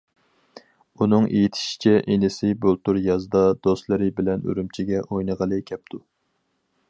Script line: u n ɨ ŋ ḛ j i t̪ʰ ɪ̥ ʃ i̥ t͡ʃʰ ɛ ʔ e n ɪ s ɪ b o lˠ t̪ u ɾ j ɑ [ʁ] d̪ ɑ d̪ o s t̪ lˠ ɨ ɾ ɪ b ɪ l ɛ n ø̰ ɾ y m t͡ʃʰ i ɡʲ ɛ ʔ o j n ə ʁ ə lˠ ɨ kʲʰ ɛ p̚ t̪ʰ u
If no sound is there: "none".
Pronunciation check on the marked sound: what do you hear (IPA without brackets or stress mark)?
z